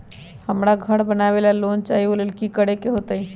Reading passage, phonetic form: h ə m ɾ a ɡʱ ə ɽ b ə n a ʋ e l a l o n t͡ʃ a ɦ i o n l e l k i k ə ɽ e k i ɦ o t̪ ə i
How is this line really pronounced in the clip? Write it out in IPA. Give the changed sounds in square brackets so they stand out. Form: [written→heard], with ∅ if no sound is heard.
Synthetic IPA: h ə m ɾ a ɡʱ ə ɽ b ə n a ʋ e l a l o n t͡ʃ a ɦ i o [n→∅] l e l k i k ə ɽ e k [i→e] ɦ o t̪ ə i